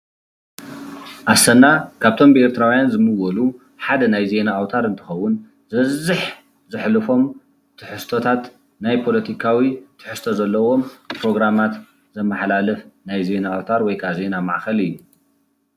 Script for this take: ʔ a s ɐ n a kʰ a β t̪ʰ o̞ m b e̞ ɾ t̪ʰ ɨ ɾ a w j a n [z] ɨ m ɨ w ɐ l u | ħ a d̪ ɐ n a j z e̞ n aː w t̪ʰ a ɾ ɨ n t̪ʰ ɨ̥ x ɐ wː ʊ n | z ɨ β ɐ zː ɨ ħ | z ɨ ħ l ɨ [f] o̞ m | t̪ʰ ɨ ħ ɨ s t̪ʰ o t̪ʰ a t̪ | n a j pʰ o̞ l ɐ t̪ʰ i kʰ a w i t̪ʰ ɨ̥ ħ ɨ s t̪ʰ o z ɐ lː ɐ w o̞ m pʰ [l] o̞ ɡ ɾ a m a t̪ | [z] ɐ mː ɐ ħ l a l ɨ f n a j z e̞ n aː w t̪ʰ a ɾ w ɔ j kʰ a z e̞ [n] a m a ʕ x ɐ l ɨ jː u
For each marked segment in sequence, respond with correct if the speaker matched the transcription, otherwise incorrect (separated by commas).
correct, correct, incorrect, correct, correct